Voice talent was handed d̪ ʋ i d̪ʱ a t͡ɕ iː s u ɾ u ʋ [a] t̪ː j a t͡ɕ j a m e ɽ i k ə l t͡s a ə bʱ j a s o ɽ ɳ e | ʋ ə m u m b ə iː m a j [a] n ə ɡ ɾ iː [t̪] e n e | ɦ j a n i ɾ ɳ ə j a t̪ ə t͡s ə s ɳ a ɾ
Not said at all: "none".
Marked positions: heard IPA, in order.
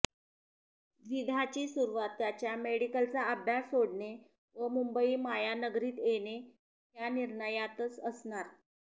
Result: a, a, t̪

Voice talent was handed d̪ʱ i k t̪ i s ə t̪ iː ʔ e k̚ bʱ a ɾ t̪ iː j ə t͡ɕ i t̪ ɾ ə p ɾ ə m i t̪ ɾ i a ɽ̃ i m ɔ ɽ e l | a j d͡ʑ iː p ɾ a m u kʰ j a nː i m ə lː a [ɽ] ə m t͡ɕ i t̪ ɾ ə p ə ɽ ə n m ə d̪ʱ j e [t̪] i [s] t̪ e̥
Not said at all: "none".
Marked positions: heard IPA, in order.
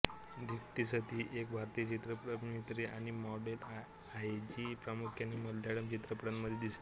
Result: ɽ, d̪, s

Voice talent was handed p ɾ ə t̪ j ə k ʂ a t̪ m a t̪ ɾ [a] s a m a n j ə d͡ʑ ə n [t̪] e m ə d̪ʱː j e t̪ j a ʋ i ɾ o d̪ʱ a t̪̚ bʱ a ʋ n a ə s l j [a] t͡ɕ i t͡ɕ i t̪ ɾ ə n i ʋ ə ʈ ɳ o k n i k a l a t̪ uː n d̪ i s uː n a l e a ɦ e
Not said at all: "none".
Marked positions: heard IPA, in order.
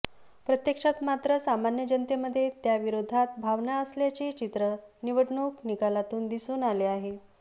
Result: ə, t̪, a

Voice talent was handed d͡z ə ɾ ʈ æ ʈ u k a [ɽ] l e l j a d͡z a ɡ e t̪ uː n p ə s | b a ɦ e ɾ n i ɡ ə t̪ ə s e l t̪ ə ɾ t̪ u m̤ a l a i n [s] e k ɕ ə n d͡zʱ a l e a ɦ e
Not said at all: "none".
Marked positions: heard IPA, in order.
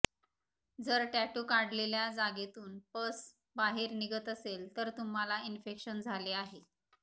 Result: ɽ, f

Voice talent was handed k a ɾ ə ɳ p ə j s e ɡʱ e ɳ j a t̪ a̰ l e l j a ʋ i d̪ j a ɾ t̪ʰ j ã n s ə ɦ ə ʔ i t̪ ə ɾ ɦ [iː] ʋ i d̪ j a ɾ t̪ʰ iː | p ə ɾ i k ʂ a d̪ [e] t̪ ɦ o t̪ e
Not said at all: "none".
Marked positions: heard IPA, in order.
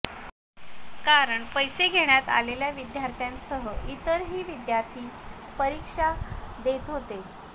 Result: iː, e

